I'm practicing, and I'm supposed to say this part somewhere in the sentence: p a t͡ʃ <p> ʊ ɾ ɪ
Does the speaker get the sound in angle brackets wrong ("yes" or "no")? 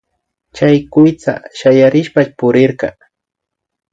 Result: no